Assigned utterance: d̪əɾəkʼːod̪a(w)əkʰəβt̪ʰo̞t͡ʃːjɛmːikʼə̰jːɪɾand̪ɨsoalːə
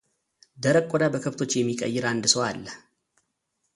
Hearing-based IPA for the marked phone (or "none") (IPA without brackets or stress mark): b